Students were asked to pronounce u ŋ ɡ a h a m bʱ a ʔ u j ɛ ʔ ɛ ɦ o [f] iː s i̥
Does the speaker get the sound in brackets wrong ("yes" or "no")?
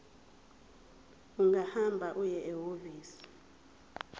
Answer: yes